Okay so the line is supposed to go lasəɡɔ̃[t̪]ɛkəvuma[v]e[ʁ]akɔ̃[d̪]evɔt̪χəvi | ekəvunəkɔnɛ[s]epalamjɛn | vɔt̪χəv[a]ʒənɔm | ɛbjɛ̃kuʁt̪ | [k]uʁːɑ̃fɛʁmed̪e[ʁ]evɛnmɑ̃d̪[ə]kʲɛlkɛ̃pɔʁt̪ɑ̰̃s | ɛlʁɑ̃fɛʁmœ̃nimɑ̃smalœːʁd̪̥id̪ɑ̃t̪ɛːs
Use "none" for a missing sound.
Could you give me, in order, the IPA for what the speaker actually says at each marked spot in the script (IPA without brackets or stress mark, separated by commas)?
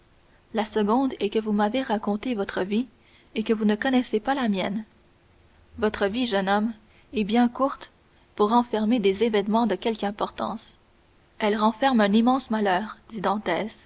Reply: d̪, v, ʁ, t̪, s, i, p, z, ə